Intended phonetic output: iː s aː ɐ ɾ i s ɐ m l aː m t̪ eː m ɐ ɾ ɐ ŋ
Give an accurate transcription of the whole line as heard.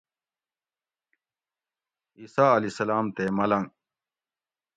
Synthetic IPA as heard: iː s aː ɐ l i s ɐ l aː m t̪ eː m ɐ l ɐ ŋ